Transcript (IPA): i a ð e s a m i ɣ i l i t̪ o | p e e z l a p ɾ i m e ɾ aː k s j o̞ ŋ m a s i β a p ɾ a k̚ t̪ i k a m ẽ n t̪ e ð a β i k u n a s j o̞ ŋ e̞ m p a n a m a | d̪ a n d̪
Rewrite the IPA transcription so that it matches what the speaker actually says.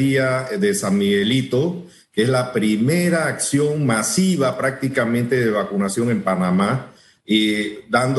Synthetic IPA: i a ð e s a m i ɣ e l i t̪ o | k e e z l a p ɾ i m e ɾ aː k s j o̞ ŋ m a s i β a p ɾ a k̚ t̪ i k a m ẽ n t̪ e ð e β a k u n a s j o̞ ŋ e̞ m p a n a m a | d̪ a n d̪